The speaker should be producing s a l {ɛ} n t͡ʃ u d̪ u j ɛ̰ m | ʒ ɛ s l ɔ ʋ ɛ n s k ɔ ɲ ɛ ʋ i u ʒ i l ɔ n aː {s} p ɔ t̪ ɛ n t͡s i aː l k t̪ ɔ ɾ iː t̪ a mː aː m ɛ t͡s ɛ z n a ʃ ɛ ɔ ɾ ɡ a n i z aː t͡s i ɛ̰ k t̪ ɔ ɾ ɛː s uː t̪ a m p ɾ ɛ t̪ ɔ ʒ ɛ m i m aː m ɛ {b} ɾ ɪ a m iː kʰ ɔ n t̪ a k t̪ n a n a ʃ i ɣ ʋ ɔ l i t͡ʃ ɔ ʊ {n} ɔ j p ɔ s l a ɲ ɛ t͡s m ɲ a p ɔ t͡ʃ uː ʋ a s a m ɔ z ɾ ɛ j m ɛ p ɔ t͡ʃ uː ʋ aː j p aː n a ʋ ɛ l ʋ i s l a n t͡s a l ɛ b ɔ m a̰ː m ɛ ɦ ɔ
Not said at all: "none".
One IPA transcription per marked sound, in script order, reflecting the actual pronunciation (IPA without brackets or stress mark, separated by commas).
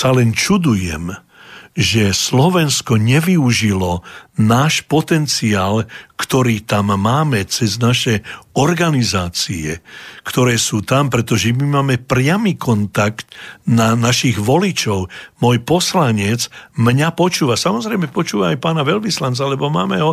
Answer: ɛ, ʃ, p, m